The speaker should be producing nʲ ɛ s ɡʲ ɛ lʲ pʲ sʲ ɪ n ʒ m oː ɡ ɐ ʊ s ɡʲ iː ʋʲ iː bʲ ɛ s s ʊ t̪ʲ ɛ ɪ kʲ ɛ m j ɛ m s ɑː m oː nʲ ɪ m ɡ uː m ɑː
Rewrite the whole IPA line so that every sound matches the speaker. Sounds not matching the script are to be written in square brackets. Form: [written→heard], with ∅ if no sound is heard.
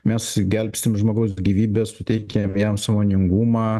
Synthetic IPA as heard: [nʲ→mʲ] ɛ s ɡʲ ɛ lʲ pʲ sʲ ɪ [n→m] ʒ m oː ɡ ɐ ʊ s ɡʲ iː ʋʲ iː bʲ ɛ s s ʊ t̪ʲ ɛ ɪ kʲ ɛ m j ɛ m s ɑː m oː nʲ ɪ [m→ŋ] ɡ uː m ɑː